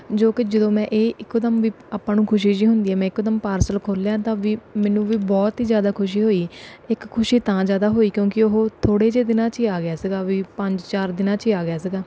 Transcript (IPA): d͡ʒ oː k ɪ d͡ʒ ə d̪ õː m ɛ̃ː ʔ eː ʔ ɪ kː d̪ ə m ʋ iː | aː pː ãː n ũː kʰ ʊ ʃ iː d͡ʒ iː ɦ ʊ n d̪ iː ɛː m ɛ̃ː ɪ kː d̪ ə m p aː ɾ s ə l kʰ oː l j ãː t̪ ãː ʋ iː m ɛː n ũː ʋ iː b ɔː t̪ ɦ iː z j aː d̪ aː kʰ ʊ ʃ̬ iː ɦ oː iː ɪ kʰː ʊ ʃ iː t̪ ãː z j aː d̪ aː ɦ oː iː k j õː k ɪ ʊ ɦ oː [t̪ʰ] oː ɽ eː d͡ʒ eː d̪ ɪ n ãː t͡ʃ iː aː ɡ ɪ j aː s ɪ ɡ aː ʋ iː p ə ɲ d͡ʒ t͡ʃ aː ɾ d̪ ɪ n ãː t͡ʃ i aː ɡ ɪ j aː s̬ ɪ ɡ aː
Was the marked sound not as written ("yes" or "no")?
no